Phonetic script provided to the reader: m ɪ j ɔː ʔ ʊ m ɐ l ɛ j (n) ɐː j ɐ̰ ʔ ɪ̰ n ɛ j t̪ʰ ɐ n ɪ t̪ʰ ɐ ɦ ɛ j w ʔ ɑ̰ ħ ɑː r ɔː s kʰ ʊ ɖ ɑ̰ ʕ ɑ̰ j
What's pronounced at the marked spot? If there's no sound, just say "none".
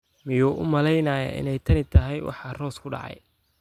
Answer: n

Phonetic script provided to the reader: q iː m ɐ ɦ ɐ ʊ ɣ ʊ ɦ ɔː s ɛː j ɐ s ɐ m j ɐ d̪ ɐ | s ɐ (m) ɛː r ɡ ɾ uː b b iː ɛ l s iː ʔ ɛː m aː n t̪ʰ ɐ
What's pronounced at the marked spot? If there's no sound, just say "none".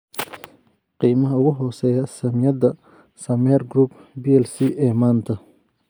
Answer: m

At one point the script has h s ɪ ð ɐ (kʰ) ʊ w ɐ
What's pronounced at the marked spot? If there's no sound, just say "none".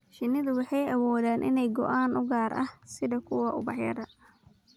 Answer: kʰ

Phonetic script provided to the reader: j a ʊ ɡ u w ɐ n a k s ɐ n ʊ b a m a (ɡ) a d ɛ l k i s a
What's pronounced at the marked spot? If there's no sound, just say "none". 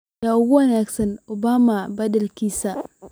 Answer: b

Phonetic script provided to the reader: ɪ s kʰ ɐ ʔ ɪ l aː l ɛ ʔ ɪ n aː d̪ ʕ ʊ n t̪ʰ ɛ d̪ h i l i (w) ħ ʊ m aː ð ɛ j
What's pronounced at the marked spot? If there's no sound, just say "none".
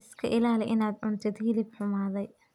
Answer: b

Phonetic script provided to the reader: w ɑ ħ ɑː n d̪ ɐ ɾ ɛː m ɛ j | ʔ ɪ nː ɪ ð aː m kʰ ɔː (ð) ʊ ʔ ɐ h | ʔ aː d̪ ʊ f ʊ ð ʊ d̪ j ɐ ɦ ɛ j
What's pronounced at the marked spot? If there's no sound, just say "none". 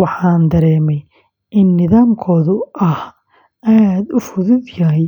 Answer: ð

